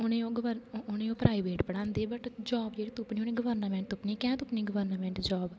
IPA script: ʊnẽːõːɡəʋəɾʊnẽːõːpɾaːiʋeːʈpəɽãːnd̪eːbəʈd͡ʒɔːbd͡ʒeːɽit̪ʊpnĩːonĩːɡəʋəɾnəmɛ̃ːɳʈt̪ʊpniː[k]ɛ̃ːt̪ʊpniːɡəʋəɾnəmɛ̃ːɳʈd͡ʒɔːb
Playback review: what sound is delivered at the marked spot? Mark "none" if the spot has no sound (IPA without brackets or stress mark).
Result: k